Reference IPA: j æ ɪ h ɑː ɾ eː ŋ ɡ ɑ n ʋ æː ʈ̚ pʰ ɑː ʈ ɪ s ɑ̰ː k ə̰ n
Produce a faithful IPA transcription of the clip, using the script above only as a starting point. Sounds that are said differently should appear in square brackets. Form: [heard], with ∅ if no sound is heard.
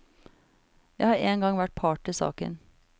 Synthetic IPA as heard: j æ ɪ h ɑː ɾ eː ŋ ɡ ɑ [ŋ] ʋ [æ] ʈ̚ pʰ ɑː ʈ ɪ s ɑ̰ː k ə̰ n